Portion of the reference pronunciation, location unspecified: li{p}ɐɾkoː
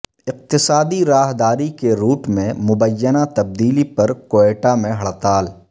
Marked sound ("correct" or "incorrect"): correct